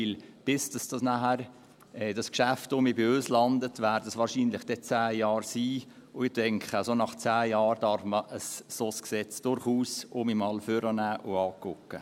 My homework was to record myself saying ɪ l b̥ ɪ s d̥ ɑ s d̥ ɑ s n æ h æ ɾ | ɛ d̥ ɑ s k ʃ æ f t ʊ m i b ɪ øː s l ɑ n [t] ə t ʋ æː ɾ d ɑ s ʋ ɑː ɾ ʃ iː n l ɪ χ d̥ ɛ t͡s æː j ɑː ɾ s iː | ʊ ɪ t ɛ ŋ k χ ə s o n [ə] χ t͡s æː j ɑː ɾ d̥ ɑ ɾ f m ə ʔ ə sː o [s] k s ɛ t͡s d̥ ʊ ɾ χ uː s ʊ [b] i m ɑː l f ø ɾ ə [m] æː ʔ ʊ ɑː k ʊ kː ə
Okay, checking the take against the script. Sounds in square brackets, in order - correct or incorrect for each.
incorrect, incorrect, correct, incorrect, incorrect

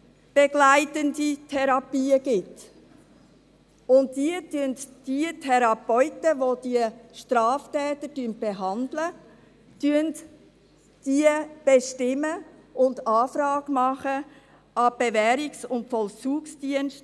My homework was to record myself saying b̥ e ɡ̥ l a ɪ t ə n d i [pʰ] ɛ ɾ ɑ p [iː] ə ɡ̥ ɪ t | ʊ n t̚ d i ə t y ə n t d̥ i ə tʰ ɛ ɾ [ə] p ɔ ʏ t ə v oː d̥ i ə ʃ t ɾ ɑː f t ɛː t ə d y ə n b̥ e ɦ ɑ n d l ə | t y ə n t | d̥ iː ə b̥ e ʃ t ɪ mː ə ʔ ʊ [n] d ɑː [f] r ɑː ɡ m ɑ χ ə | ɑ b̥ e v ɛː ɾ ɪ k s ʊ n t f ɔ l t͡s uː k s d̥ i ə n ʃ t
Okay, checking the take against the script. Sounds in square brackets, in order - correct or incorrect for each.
incorrect, correct, incorrect, correct, correct

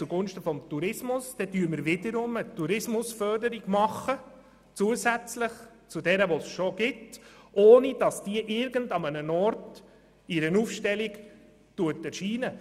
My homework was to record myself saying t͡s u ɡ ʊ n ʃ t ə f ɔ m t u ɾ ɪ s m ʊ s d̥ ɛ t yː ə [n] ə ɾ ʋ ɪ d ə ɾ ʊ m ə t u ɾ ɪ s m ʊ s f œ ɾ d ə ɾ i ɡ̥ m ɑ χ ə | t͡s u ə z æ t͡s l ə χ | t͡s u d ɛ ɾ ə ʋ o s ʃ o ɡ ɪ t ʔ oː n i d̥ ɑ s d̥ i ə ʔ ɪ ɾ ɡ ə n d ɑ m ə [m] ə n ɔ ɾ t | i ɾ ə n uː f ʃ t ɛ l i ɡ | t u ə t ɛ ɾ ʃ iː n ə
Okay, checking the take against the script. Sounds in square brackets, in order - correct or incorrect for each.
incorrect, incorrect

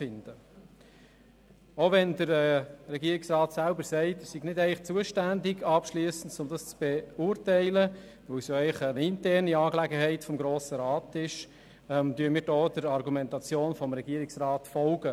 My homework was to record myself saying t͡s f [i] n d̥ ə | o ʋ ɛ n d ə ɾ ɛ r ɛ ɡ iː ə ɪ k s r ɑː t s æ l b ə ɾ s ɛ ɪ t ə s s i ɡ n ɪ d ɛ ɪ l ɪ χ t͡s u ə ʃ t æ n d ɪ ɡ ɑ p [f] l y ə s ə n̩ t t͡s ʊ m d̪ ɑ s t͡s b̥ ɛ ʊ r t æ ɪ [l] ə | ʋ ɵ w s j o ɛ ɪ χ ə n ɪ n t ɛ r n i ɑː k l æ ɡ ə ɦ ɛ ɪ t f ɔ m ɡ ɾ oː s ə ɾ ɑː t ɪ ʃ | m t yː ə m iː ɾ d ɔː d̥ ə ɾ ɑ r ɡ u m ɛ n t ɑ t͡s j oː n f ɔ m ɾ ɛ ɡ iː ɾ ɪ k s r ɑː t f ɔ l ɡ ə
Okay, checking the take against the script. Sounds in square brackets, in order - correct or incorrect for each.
incorrect, incorrect, correct

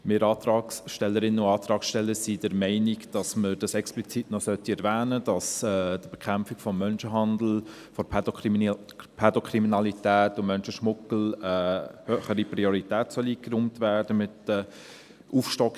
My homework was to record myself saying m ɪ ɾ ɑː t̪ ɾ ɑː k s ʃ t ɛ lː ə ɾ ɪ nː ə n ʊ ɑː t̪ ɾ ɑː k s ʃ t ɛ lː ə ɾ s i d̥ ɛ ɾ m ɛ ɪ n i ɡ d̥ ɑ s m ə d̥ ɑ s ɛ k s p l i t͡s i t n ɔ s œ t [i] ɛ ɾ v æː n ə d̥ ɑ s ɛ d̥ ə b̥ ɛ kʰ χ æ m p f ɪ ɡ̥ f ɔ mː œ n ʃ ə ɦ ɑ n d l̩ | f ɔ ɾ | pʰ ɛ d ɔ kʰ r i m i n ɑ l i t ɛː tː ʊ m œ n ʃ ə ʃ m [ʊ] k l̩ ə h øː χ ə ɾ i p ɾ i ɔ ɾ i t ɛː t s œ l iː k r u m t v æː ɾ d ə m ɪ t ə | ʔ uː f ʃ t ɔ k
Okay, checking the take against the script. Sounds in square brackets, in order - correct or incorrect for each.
correct, correct

